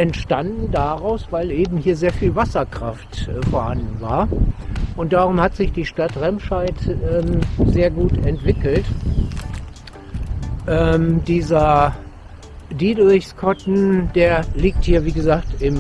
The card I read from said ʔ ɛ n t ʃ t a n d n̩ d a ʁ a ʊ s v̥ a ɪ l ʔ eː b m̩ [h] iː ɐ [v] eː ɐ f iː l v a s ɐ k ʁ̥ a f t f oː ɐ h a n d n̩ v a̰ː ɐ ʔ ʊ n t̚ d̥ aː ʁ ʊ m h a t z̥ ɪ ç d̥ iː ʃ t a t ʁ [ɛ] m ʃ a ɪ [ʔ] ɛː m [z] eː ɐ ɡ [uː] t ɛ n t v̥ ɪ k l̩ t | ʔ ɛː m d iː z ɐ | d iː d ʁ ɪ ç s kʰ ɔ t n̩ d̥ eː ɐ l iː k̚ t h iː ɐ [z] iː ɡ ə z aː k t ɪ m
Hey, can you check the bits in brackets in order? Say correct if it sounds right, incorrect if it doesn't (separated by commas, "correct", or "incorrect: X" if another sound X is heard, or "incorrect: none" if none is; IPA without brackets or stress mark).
correct, incorrect: z, correct, incorrect: t, correct, correct, incorrect: v